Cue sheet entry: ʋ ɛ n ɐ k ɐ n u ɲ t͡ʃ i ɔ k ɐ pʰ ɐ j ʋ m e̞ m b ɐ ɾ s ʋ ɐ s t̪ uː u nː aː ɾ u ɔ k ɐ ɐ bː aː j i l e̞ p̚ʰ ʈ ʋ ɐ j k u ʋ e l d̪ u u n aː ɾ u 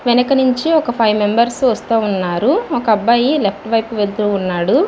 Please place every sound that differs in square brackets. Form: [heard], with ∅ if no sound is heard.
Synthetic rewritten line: ʋ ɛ n ɐ k ɐ n u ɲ t͡ʃ i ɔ k ɐ pʰ ɐ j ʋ m e̞ m b ɐ ɾ s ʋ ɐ s t̪ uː u nː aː ɾ u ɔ k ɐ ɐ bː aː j i l e̞ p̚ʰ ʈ ʋ ɐ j [p] u ʋ e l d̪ u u [nː] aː [ɽ] u